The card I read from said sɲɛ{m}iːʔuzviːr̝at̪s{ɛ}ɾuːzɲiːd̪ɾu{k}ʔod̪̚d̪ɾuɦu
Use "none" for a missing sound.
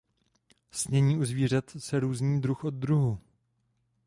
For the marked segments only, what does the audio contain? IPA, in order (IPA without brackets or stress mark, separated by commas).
ɲ, ɛ, x